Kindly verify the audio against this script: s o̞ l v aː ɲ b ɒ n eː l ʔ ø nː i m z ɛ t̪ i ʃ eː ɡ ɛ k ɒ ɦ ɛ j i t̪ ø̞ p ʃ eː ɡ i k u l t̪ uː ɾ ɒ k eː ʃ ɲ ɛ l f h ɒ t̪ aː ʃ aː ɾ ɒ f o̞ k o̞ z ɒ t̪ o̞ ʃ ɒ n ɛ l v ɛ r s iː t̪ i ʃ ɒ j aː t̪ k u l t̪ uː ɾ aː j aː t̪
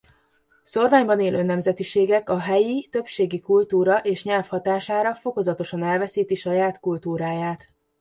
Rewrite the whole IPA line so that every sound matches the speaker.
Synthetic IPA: s o̞ r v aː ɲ b ɒ n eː l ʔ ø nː ɛ m z ɛ t̪ i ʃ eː ɡ ɛ k ɒ ɦ ɛ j i t̪ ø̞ p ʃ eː ɡ i k u l t̪ uː ɾ ɒ ʔ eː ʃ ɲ ɛ l f h ɒ t̪ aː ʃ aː ɾ ɒ f o̞ k o̞ z ɒ t̪ o̞ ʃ ɒ n ɛ l v ɛ s iː t̪ i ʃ ɒ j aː t̪ k u l t̪ uː ɾ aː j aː t̪

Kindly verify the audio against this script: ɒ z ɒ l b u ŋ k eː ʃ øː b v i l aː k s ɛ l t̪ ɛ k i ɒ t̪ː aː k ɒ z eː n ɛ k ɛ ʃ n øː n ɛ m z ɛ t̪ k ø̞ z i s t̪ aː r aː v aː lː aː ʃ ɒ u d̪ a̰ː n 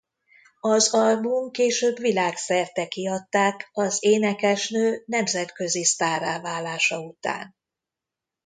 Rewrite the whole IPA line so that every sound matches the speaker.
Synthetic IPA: ɒ z ɒ l b u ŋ k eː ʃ øː b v i l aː k s ɛ r t̪ ɛ k i ɒ t̪ː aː k ɒ z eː n ɛ k ɛ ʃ n øː n ɛ m z ɛ t̪ k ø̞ z i s t̪ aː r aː v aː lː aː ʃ ɒ u t̪ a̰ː n

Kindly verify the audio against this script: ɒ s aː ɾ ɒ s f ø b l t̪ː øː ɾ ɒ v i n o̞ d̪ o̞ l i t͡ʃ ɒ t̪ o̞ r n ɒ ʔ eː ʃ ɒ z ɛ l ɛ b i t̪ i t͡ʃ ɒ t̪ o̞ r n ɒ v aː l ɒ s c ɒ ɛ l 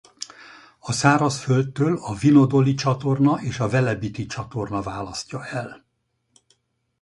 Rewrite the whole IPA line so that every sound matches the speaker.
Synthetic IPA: ɒ s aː ɾ ɒ s f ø l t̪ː øː l ɒ v i n o̞ d̪ o̞ l i t͡ʃ ɒ t̪ o̞ r n ɒ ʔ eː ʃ ɒ v ɛ l ɛ b i t̪ i t͡ʃ ɒ t̪ o̞ r n ɒ v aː l ɒ s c ɒ ɛ l

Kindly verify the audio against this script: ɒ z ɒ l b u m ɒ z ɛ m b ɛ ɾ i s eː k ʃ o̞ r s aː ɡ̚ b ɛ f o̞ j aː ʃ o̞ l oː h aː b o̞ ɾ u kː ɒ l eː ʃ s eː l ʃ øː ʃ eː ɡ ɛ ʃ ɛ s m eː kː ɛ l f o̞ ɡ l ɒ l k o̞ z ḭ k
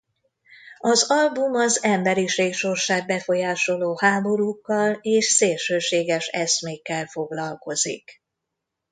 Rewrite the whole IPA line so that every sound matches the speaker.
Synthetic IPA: ɒ z ɒ l b u m ɒ z ɛ m b ɛ ɾ i ʃ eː k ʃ o̞ r ʃ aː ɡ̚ b ɛ f o̞ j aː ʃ o̞ l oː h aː b o̞ ɾ u kː ɒ l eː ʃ s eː l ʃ øː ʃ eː ɡ ɛ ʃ ɛ s m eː kː ɛ l f o̞ ɡ l ɒ l k o̞ z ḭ k

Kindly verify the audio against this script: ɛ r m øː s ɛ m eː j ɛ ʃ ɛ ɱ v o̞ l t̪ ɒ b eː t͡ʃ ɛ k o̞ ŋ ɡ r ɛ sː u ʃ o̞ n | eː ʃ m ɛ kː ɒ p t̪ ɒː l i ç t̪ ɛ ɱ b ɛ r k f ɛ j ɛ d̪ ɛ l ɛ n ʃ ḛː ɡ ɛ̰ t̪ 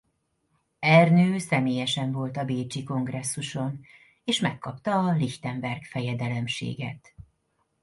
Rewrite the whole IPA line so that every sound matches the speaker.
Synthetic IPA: ɛ r n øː s ɛ m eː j ɛ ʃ ɛ ɱ v o̞ l t̪ ɒ b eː t͡ʃ i k o̞ ŋ ɡ r ɛ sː u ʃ o̞ n | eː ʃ m ɛ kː ɒ p t̪ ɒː l i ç t̪ ɛ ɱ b ɛ r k f ɛ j ɛ d̪ ɛ l ɛ m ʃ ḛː ɡ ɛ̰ t̪

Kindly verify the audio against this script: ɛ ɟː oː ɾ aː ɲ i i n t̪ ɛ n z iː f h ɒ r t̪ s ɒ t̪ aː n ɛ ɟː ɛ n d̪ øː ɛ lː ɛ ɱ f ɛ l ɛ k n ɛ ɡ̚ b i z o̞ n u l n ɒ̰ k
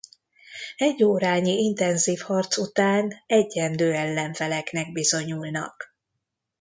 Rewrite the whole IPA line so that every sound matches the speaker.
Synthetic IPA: ɛ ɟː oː ɾ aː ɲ i i n t̪ ɛ n z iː f h ɒ r t̪ s u t̪ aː n ɛ ɟː ɛ n d̪ øː ɛ lː ɛ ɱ f ɛ l ɛ k n ɛ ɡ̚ b i z o̞ ɲ u l n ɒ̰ k

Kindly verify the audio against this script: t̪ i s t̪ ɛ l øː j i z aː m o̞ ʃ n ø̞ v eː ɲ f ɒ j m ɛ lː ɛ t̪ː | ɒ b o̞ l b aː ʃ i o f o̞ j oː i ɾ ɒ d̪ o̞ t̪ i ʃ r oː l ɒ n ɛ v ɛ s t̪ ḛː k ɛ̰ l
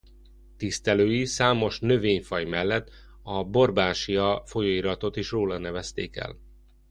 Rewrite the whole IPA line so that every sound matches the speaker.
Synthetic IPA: t̪ i s t̪ ɛ l øː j i s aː m o̞ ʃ n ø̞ v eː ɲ f ɒ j m ɛ lː ɛ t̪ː | ɒ b o̞ r b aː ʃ i ɒ f o̞ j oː i ɾ ɒ t̪ o̞ t̪ i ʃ r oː l ɒ n ɛ v ɛ s t̪ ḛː k ɛ̰ l

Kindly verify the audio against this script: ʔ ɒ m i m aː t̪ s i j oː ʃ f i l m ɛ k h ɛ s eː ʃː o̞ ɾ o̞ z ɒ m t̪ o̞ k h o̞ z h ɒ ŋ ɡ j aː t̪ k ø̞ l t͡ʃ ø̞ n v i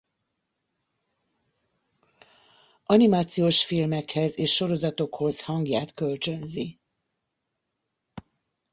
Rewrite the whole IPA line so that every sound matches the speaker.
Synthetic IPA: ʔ ɒ n i m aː t̪ s i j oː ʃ f i l m ɛ k h ɛ z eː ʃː o̞ ɾ o̞ z ɒ t̪ o̞ k h o̞ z h ɒ ŋ ɡ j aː t̪ k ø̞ l t͡ʃ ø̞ n z i

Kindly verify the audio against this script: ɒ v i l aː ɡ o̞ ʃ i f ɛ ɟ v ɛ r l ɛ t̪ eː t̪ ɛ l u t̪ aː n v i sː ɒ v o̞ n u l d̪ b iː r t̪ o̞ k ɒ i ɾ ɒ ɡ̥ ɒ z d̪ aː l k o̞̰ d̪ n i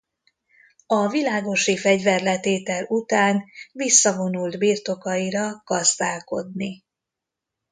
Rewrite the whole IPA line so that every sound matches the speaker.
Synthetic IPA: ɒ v i l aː ɡ o̞ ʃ i f ɛ ɟ v ɛ r l ɛ t̪ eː t̪ ɛ l u t̪ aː n v i sː ɒ v o̞ n u l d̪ b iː r t̪ o̞ k ɒ i ɾ ɒ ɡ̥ ɒ z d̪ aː l k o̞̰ d̪ n i

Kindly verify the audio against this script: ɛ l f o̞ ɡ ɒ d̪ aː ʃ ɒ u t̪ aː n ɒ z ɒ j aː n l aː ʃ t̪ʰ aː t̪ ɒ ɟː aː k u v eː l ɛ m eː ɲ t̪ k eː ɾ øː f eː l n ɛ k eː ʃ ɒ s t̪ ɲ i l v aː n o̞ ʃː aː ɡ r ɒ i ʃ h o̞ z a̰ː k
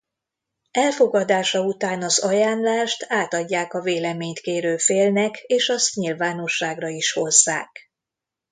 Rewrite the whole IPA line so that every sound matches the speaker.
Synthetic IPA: ɛ l f o̞ ɡ ɒ d̪ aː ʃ ɒ u t̪ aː n ɒ z ɒ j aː n l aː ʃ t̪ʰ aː t̪ ɒ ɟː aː k ɒ v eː l ɛ m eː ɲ t̪ k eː ɾ øː f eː l n ɛ k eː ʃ ɒ s t̪ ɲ i l v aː n o̞ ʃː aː ɡ r ɒ i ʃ h o̞ zː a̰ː k

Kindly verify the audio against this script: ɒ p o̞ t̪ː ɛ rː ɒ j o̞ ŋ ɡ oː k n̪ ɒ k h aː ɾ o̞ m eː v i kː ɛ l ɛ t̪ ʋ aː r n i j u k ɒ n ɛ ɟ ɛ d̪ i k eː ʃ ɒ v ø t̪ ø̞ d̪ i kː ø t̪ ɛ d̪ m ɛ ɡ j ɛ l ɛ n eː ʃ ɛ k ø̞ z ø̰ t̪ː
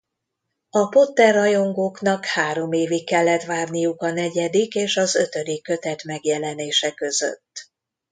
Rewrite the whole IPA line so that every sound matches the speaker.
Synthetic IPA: ɒ p o̞ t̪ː ɛ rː ɒ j o̞ ŋ ɡ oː k n̪ ɒ k h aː ɾ o̞ m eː v i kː ɛ lː ɛ t̪ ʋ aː r n i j u k ɒ n ɛ ɟ ɛ d̪ i k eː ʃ ɒ z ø t̪ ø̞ d̪ i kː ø t̪ ɛ t̪ m ɛ ɡ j ɛ l ɛ n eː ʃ ɛ k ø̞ z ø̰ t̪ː

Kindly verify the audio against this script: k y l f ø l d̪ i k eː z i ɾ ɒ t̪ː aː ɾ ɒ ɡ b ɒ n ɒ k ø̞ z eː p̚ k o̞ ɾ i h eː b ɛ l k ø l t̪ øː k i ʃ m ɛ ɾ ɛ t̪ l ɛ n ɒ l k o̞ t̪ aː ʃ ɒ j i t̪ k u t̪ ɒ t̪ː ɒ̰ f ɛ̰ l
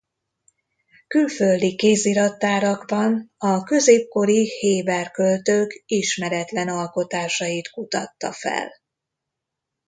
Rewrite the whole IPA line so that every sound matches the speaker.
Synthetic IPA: k y l f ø l d̪ i k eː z i ɾ ɒ t̪ː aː ɾ ɒ ɡ b ɒ n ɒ k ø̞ z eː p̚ k o̞ ɾ i h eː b ɛ r k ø l t̪ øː k i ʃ m ɛ ɾ ɛ t̪ l ɛ n ɒ l k o̞ t̪ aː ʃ ɒ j i t̪ k u t̪ ɒ t̪ː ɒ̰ f ɛ̰ l

